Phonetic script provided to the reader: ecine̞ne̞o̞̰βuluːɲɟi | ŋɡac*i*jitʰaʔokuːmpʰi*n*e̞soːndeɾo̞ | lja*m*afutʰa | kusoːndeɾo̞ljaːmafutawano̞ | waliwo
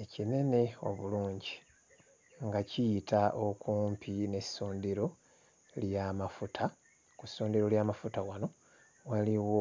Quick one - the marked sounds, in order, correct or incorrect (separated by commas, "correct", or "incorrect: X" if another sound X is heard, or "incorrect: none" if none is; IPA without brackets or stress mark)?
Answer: correct, correct, correct